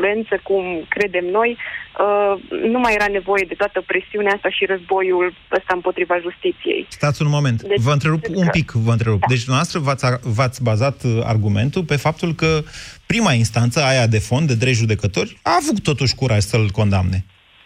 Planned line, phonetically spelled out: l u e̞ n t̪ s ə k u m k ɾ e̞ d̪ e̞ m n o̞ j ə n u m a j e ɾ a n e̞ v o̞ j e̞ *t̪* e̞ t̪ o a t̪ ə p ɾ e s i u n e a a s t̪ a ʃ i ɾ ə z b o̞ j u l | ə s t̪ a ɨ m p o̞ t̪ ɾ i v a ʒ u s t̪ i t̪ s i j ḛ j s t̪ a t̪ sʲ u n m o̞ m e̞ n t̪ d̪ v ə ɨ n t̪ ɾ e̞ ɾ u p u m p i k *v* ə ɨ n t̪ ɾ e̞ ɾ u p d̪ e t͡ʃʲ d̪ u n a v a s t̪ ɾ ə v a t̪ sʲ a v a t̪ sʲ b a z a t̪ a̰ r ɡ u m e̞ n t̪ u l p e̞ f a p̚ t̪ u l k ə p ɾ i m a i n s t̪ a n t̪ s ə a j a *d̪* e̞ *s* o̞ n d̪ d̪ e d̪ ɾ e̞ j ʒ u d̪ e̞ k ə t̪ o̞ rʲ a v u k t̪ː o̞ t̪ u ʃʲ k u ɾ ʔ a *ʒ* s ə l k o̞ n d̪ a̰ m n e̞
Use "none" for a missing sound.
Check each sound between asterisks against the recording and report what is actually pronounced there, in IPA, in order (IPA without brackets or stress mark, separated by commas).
d̪, v, d̪, f, ʒ